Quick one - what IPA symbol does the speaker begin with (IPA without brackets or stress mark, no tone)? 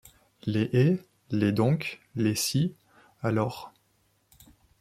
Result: l